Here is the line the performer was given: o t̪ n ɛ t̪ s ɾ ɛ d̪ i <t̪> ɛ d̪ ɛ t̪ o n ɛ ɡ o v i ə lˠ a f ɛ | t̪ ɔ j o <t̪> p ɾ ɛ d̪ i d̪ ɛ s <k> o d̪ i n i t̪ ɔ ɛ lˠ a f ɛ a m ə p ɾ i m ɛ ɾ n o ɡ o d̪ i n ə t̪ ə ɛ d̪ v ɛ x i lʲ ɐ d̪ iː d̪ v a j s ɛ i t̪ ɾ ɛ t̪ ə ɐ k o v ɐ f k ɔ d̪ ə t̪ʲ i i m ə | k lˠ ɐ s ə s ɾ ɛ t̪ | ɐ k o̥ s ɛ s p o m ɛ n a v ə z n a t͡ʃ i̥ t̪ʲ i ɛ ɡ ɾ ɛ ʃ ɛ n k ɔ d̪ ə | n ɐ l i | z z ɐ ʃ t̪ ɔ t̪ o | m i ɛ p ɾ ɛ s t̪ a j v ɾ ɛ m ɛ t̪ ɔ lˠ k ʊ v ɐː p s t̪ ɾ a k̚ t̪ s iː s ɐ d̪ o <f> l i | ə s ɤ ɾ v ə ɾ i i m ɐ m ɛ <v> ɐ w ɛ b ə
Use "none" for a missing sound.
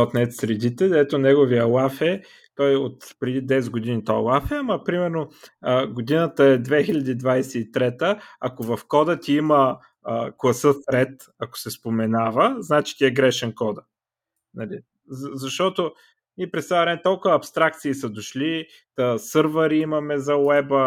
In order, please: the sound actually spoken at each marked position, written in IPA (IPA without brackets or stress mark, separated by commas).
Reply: t̪, t̪, ɡ, ʃ, z